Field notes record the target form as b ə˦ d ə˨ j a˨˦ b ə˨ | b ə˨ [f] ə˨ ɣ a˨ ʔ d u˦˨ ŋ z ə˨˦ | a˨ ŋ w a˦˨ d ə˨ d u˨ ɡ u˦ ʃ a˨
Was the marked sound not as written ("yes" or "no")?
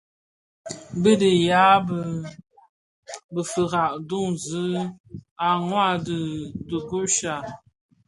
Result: no